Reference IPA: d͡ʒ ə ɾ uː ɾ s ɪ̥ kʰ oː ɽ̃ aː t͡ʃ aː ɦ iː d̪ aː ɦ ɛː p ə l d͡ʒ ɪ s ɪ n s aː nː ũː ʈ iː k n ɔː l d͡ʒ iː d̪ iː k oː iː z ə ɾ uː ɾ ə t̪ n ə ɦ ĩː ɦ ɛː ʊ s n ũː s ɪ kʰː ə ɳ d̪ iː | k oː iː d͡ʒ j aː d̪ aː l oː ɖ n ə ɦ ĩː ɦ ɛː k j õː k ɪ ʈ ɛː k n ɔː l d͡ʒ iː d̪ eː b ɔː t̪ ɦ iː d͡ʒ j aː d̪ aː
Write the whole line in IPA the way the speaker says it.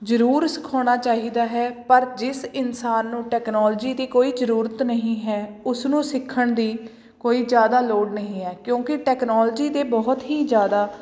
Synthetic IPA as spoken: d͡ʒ ə ɾ uː ɾ s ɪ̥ kʰ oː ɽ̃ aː t͡ʃ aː ɦ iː d̪ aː ɦ ɛː p ə ɾ d͡ʒ ɪ s ɪ n s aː nː ũː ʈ ɛː k n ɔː l d͡ʒ iː d̪ iː k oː iː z ə ɾ uː ɾ ə t̪ n ə ɦ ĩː ɦ ɛː ʊ s n ũː s ɪ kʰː ə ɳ d̪ iː | k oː iː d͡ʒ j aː d̪ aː l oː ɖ n ə ɦ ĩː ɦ ɛː k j õː k ɪ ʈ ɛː k n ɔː l d͡ʒ iː d̪ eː b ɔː t̪ ɦ iː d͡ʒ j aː d̪ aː